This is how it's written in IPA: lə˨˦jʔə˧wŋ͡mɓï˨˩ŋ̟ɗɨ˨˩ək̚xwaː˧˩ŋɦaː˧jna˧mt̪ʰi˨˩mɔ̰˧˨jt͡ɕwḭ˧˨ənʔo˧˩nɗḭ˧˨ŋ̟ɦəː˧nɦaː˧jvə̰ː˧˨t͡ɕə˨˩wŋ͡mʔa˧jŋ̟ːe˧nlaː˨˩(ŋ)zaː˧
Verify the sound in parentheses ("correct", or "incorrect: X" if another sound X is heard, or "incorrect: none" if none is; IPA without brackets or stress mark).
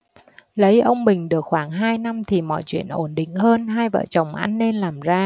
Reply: incorrect: m